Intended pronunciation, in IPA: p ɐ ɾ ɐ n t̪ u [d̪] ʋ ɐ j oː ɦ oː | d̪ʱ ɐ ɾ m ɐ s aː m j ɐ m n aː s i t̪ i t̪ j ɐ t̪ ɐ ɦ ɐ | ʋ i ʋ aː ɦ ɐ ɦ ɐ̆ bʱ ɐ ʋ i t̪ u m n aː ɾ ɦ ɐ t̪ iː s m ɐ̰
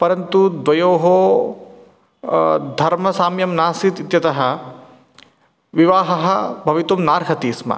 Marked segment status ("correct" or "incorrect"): correct